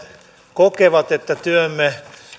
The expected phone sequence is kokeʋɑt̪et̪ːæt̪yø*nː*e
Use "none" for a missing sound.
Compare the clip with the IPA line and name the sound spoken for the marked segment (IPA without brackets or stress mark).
mː